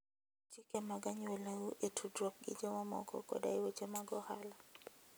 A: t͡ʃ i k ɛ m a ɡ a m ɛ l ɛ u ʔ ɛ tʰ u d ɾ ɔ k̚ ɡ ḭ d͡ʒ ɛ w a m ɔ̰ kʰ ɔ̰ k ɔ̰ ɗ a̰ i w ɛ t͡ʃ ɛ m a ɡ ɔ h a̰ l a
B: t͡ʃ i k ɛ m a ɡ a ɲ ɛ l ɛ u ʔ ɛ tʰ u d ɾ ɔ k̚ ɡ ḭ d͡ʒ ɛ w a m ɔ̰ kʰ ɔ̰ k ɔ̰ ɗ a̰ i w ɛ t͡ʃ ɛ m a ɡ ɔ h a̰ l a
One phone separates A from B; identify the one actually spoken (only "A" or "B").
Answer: B